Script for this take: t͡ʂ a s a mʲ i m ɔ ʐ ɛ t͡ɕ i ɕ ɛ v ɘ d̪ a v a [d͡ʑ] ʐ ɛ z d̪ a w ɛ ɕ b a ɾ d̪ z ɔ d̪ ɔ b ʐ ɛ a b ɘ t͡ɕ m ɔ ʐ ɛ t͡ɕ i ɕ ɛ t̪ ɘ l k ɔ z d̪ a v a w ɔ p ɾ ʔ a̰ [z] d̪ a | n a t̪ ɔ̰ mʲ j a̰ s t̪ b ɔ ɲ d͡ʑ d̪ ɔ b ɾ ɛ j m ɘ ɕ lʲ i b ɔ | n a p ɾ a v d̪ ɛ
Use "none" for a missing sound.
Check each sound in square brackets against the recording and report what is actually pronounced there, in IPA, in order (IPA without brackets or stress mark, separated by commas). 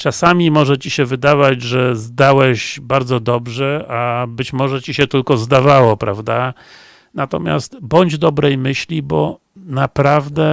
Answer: d͡ʑ, v